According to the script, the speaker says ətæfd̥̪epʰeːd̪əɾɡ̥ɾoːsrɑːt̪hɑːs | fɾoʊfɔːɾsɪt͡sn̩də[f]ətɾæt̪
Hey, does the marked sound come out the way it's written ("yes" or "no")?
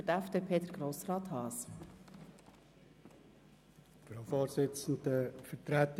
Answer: yes